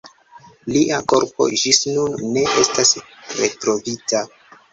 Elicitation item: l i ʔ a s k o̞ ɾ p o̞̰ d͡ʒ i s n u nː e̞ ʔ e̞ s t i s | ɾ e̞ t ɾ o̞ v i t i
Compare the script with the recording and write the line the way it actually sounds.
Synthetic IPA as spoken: l i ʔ a k o̞ ɾ p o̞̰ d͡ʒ i s n u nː e̞ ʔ e̞ s t a s | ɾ e̞ t ɾ o̞ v i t a

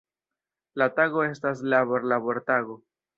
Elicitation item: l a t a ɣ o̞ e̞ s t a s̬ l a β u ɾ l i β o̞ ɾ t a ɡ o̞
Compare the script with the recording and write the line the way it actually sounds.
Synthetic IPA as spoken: l a t a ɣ o̞ e̞ s t a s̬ l a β o ɾ l a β o̞ ɾ t a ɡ o̞

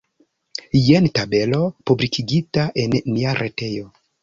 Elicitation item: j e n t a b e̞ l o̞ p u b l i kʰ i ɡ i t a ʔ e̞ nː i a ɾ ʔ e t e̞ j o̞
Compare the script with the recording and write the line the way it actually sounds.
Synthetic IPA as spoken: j e n t a b e̞ l o̞ p u b l i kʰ i ɡ i t a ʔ e̞ nː i a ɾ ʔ e t e̞ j o̞

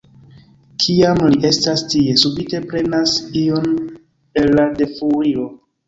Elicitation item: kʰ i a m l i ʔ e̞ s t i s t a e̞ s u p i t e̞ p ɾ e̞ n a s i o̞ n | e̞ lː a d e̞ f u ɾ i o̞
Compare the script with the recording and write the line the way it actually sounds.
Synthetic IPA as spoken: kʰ i a m l i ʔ e̞ s t a s t i e̞ s u b i t e̞ p ɾ e̞ n a s i o̞ n | e̞ lː a d e̞ f u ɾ i o̞

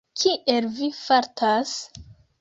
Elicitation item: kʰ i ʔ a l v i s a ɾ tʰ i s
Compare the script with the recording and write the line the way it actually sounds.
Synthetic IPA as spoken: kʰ i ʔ e l v i f a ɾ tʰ a s

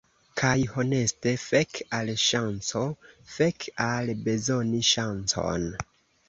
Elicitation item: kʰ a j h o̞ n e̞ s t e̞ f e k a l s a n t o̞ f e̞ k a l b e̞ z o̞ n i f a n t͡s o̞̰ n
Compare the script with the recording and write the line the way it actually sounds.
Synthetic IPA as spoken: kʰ a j h o̞ n e̞ s t e̞ f e k a l ʃ a n t͡s o̞ f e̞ k a l b e̞ z o̞ n i ʃ a n t͡s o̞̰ n

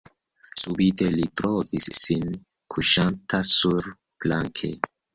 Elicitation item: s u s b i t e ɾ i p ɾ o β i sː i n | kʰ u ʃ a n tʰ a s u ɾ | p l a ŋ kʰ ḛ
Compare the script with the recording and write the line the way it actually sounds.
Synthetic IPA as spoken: s u b i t e l i t ɾ o v i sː i n | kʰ u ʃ a n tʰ a s u ɾ | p l a ŋ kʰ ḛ

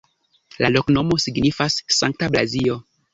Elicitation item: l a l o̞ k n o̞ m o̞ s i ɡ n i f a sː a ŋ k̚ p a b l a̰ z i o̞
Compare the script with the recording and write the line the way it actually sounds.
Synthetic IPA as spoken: l a l o̞ k n o̞ m o̞ s i ɡ n i f a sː a ŋ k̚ t a b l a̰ z i o̞

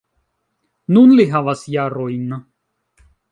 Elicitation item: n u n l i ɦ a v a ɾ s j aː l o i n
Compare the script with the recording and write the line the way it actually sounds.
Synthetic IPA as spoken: n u n l i ɦ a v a s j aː ɾ o j n

